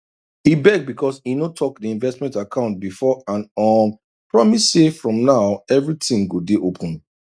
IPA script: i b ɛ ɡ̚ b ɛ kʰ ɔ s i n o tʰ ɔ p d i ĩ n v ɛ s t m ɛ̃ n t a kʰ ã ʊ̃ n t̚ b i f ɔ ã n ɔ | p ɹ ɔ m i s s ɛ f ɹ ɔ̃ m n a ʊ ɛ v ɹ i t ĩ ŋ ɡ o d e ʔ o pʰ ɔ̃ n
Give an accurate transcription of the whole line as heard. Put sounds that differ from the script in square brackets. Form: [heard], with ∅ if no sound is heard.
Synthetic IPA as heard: i b ɛ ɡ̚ b [i] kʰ ɔ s i n o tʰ ɔ [k] d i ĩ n v ɛ s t m ɛ̃ n t a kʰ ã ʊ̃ n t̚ b i f ɔ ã n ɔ | p ɹ ɔ m i s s [e] f ɹ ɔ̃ m n a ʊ ɛ v ɹ i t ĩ ŋ ɡ o d e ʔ o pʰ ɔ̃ n

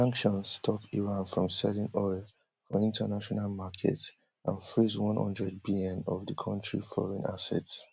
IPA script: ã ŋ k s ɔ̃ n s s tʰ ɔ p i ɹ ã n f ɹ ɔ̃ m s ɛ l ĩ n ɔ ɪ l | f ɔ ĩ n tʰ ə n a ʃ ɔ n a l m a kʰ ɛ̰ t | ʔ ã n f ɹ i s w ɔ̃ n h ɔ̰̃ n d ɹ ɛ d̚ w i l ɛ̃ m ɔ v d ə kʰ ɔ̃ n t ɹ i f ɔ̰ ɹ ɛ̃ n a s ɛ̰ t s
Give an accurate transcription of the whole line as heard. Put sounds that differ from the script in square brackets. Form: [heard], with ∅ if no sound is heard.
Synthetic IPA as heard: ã ŋ k [ʃ] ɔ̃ n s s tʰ ɔ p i ɹ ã n f ɹ ɔ̃ m s ɛ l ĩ n ɔ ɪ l | f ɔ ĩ n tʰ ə n a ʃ ɔ n a l m a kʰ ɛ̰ t | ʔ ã n f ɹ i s w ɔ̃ n h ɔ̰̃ n d ɹ ɛ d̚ [b] i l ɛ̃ [n] ɔ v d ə kʰ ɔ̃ n t ɹ i f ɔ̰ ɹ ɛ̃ n a s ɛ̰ t s

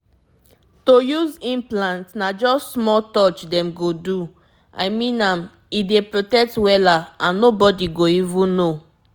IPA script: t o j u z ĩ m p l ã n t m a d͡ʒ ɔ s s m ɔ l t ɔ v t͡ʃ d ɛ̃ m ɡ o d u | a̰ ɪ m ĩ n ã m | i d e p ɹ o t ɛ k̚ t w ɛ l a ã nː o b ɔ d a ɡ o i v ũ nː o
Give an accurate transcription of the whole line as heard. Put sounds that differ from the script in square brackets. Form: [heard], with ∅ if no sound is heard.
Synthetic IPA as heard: t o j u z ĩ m p l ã n t [n] a d͡ʒ ɔ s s m ɔ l t ɔ [∅] t͡ʃ d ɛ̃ m ɡ o d u | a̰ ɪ m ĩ n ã m | i d e p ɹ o t ɛ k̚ t w ɛ l a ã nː o b ɔ d [i] ɡ o i v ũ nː o

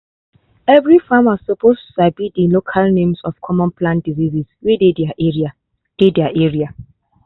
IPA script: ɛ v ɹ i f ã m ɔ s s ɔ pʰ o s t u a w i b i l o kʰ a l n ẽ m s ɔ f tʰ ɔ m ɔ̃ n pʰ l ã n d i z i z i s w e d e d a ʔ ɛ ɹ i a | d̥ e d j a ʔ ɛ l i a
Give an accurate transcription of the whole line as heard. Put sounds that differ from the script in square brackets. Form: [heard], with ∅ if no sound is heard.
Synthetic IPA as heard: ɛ v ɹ i f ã m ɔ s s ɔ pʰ o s t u a [b] i [d] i l o kʰ a l n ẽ m s ɔ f [kʰ] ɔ m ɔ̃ n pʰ l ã n d i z i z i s w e d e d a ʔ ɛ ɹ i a | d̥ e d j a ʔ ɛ [ɹ] i a

